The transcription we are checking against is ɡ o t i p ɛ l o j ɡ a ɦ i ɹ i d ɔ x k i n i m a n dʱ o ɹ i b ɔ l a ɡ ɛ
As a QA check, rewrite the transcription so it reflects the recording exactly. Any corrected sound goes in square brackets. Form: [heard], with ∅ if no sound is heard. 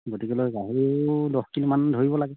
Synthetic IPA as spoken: ɡ o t i [k] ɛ l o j ɡ a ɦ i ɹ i d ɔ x k i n i m a n dʱ o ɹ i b ɔ l a ɡ ɛ